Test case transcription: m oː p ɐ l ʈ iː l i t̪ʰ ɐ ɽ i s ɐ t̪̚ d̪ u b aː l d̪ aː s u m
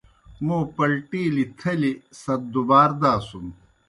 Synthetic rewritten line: m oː p ɐ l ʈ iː l i t̪ʰ ɐ l i s ɐ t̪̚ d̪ u b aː ɾ d̪ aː s u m